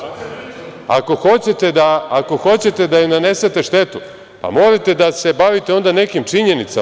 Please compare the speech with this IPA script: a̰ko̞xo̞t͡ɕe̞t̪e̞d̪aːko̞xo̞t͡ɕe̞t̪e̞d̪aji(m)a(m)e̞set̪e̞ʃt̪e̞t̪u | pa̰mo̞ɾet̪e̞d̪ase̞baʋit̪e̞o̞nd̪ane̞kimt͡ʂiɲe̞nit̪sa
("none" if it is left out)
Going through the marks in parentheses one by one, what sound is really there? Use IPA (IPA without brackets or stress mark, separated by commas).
n, n